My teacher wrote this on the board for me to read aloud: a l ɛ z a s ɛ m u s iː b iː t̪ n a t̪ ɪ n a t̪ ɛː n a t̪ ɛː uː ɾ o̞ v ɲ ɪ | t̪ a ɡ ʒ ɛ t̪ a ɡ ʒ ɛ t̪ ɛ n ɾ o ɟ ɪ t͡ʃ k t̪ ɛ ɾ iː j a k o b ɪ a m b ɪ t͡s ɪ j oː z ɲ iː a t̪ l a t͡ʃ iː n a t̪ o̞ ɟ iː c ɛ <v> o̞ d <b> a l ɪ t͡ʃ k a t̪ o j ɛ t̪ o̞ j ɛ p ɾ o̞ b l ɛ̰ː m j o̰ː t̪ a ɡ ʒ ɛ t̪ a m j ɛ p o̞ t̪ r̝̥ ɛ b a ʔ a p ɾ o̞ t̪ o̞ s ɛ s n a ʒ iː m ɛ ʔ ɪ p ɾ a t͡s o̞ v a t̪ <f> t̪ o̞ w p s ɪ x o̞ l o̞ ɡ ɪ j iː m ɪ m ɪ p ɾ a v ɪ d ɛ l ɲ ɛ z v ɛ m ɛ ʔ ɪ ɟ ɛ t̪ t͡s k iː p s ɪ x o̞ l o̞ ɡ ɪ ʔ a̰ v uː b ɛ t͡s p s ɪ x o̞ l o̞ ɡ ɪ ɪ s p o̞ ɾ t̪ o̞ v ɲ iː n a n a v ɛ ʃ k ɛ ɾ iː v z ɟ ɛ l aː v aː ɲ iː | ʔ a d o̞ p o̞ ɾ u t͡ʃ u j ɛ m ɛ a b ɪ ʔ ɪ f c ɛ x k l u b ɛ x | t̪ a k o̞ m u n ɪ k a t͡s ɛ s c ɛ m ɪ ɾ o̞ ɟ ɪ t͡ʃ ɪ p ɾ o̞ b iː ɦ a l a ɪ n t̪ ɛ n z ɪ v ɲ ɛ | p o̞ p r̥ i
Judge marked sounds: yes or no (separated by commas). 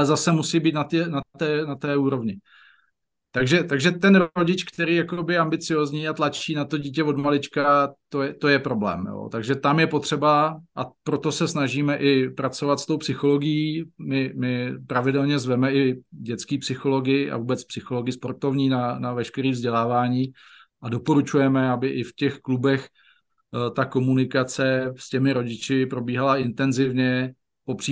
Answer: yes, no, no